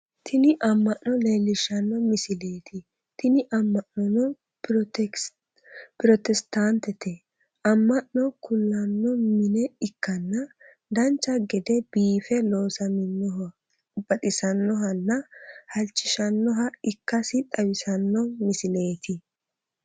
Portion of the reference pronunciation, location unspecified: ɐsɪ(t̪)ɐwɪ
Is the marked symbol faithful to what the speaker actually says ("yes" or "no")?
no